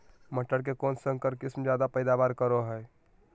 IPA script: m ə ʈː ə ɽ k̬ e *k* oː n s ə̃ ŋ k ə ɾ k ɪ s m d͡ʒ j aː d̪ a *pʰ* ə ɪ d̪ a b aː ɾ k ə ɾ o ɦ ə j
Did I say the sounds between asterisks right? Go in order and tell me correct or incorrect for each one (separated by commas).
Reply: correct, incorrect